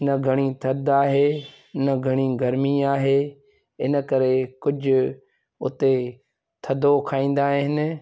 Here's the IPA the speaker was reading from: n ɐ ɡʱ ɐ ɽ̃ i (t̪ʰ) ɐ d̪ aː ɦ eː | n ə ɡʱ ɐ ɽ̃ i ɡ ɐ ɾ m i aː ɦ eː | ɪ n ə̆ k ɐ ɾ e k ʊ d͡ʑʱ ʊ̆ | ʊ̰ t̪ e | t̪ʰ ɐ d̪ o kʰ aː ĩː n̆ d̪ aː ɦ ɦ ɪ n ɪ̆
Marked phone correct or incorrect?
correct